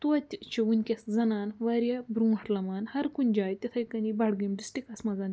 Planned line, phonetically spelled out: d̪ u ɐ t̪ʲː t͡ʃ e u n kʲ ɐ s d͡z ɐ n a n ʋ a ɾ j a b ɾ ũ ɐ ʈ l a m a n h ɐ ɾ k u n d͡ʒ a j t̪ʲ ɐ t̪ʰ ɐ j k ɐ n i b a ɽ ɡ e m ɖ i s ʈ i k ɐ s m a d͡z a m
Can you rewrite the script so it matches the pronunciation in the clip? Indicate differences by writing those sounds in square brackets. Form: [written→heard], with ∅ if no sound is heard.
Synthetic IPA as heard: [d̪→t̪] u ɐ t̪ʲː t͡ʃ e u n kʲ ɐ s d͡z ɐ n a n ʋ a ɾ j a b ɾ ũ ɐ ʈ l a m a n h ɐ ɾ k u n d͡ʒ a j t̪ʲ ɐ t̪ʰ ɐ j k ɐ n i b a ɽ ɡ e m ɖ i s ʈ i k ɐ s m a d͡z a [m→n]